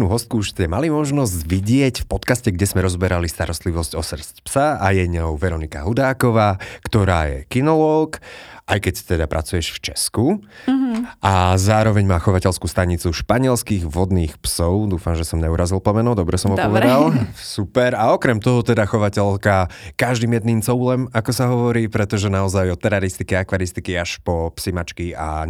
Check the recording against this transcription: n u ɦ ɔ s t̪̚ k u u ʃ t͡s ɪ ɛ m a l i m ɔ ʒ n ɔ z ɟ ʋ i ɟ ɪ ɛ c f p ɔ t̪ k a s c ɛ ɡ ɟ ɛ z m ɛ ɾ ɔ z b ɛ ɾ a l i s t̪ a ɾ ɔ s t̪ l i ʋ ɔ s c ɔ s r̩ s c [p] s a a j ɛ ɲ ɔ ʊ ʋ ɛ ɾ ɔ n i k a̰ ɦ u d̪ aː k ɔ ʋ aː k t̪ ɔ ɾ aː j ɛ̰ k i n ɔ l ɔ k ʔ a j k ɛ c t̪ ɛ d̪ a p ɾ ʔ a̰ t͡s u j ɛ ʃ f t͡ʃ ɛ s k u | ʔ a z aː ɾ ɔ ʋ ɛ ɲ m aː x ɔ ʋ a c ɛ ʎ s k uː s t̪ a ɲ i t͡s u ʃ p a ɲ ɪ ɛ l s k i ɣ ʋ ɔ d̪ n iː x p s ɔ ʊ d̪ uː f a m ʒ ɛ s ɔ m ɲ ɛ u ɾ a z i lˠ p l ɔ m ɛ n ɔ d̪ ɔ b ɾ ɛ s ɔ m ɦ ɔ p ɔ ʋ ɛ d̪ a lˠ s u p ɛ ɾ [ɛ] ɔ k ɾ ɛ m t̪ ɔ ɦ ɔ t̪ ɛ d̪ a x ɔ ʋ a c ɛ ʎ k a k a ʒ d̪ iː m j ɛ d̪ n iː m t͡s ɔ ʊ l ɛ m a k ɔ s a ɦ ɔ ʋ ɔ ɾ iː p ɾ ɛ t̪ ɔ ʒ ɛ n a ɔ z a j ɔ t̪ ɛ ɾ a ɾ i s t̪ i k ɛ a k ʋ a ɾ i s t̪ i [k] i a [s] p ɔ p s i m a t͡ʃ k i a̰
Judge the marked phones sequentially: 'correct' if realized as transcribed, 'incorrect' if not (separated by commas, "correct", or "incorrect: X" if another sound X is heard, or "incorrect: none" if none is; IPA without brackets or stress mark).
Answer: correct, incorrect: a, correct, incorrect: ʃ